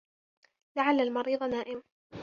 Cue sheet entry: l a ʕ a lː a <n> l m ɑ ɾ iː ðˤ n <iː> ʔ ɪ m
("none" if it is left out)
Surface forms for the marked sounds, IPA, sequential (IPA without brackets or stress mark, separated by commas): none, aː